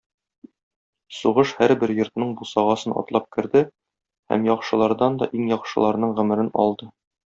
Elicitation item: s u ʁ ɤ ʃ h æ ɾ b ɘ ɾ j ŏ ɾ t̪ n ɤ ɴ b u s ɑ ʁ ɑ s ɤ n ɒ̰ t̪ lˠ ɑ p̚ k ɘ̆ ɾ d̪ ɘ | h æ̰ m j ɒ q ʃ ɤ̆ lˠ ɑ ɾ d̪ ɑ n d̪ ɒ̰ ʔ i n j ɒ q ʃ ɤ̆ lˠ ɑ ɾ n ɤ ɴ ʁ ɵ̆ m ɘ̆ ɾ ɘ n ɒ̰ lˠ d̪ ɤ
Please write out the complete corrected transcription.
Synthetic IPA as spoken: s u ʁ ɤ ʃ h æ ɾ b ɘ ɾ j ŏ ɾ t̪ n ɤ ɴ b u s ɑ ʁ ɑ s ɤ n ɒ̰ t̪ lˠ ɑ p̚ k ɘ̆ ɾ d̪ ɘ | h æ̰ m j ɒ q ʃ ɤ̆ lˠ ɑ ɾ d̪ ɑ n d̪ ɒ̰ ʔ i ŋ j ɒ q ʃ ɤ̆ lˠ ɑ ɾ n ɤ ɴ ʁ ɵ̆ m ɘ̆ ɾ ɘ n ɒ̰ lˠ d̪ ɤ